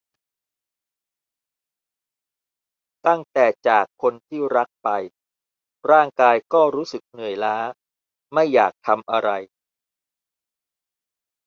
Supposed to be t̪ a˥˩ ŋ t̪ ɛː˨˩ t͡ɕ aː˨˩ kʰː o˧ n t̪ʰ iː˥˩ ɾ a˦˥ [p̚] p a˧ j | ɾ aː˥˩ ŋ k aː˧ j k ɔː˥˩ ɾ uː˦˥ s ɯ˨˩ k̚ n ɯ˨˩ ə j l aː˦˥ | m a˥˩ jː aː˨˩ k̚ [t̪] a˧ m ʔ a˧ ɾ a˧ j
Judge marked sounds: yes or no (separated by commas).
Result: no, no